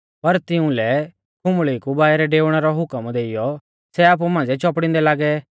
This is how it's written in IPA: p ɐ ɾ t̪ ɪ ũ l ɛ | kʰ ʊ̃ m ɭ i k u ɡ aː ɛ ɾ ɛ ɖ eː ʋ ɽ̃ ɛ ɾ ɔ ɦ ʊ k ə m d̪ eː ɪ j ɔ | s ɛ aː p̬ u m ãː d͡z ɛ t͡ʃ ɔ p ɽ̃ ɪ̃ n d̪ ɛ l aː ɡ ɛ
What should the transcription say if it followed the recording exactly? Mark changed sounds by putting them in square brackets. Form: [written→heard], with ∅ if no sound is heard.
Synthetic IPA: p ɐ ɾ t̪ ɪ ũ l ɛ | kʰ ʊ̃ m ɭ i k u [ɡ→b] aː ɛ ɾ ɛ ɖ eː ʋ ɽ̃ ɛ ɾ ɔ ɦ ʊ k ə m d̪ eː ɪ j ɔ | s ɛ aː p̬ u m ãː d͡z ɛ t͡ʃ ɔ p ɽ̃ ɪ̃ n d̪ ɛ l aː ɡ ɛ